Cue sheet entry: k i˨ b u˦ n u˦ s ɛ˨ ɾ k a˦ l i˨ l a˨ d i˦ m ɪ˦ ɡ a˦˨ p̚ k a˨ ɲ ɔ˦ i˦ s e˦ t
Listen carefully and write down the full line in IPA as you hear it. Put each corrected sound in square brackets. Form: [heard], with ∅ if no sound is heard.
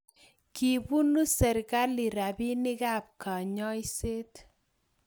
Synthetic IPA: k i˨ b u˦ n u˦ s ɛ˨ ɾ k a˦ l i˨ [ɾ] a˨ [b] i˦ [n] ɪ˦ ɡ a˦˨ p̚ k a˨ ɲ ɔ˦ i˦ s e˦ t